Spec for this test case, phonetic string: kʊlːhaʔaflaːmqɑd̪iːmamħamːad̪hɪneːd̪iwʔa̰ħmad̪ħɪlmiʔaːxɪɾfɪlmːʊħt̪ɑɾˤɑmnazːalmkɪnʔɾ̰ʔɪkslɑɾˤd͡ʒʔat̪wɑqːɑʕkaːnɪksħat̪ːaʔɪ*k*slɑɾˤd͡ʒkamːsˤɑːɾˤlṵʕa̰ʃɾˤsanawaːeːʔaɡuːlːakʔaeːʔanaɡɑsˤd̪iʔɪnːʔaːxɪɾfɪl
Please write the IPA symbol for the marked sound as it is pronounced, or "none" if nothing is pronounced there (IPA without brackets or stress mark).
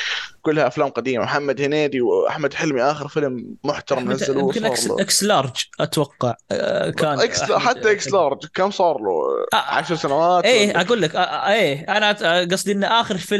k